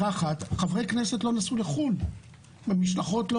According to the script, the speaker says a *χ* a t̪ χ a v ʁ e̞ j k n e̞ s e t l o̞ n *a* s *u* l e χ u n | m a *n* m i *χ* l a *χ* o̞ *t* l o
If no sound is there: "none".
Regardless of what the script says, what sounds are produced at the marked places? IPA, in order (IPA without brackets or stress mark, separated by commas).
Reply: χ, a, u, none, ʃ, χ, t